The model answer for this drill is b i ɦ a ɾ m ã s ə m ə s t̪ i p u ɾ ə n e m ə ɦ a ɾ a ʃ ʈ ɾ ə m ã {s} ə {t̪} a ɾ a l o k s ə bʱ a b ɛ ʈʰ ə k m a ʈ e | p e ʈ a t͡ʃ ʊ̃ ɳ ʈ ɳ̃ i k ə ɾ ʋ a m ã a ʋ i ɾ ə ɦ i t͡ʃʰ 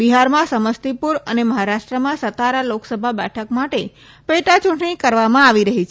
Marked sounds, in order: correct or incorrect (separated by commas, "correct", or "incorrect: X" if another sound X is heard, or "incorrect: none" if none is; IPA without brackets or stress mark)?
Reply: correct, correct